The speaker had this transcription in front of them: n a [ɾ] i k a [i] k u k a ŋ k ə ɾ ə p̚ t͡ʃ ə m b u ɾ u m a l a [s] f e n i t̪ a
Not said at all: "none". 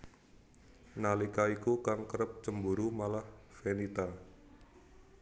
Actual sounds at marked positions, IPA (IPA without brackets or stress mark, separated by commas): l, i, h